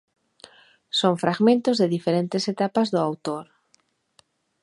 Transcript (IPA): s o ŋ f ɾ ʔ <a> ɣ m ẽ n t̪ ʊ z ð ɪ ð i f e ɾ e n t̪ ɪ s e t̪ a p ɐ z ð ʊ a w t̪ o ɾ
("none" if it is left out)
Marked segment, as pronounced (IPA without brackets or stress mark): a